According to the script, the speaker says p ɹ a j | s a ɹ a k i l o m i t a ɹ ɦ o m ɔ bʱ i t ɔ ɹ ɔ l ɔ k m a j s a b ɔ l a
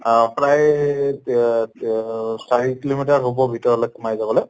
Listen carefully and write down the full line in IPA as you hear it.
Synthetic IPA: p ɹ a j | s a ɹ i k i l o m i t a ɹ ɦ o b ɔ bʱ i t ɔ ɹ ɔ l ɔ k m a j z a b ɔ l ɛ